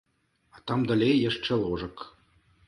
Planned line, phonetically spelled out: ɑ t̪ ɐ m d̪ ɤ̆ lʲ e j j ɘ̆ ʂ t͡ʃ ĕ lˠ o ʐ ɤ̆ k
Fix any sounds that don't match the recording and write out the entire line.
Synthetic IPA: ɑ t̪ ɑ m d̪ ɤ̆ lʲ e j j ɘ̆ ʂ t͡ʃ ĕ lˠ o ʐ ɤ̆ k